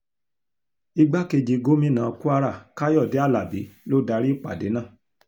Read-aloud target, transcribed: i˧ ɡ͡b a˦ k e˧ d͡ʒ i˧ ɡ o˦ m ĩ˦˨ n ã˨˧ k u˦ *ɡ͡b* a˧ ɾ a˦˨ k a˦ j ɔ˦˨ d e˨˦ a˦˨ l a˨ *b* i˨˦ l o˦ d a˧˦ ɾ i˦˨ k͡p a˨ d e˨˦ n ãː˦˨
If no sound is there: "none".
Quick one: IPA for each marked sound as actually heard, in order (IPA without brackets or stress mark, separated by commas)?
none, b